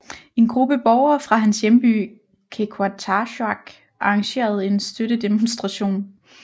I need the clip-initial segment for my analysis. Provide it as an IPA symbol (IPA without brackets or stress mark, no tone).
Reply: e̝